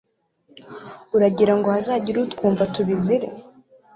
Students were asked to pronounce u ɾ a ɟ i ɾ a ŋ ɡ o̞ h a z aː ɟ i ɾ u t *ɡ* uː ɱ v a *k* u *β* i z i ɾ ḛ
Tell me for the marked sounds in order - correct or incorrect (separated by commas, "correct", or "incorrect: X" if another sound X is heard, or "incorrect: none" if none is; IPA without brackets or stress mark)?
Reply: incorrect: k, incorrect: t, correct